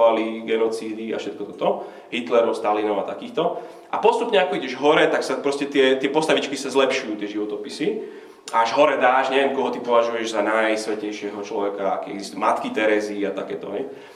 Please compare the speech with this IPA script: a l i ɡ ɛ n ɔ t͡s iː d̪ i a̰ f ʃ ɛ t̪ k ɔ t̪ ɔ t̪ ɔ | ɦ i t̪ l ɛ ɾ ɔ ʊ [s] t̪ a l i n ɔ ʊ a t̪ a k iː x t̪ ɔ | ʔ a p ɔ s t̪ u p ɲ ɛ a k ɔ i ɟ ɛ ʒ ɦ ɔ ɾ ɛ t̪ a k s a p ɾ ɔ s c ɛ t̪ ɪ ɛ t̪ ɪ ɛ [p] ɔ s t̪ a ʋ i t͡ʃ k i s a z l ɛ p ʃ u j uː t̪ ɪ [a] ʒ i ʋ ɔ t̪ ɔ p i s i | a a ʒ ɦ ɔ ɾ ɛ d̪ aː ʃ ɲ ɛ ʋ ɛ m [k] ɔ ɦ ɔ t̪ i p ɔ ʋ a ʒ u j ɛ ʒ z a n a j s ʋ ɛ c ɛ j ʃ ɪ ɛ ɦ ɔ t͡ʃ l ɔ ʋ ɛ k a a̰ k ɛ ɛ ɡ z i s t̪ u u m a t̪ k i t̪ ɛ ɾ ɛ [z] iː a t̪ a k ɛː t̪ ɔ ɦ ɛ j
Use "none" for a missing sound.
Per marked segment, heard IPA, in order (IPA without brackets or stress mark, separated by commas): s, p, ɛ, k, z